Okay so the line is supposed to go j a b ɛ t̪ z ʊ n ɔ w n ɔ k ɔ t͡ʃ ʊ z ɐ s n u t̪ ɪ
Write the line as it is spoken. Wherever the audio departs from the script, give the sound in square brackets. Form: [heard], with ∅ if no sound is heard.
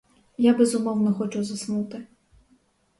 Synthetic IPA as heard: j a b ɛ [∅] z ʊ [m] ɔ w n ɔ [x] ɔ t͡ʃ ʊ z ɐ s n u t̪ ɪ